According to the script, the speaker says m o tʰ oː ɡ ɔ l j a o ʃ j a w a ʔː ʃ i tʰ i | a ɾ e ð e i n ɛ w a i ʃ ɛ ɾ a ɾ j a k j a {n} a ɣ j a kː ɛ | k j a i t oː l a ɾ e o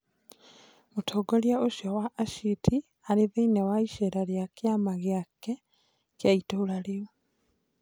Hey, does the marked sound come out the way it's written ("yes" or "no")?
no